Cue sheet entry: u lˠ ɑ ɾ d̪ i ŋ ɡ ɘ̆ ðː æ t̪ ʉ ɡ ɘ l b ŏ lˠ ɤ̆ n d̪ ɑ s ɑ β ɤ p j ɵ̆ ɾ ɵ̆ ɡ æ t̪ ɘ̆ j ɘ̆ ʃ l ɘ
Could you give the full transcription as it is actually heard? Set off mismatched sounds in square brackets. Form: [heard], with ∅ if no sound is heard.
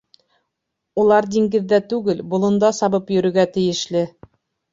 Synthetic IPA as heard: u lˠ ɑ ɾ d̪ i ŋ ɡ ɘ̆ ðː æ t̪ ʉ ɡ ɘ l b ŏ lˠ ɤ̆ n d̪ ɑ s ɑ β ɤ p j ɵ̆ ɾ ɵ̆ ɡ æ t̪ ɘ̆ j ɘ̆ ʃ l ɘ